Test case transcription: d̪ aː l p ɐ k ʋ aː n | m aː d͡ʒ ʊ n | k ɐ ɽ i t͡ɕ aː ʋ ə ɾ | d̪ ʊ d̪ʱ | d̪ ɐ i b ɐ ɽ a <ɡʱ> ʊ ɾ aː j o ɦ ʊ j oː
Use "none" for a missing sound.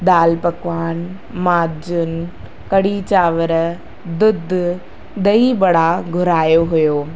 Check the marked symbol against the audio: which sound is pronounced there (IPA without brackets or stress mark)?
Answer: ɡʱ